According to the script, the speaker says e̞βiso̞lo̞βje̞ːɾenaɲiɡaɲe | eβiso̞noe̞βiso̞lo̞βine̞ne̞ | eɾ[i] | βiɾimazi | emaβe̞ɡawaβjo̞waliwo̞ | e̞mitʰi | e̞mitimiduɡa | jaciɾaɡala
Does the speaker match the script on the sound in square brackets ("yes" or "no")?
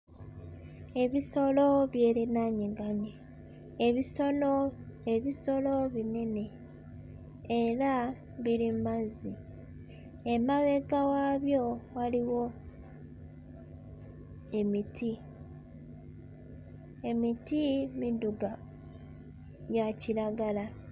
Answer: no